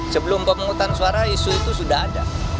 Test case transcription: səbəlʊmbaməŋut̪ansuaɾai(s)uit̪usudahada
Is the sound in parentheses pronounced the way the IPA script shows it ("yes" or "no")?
yes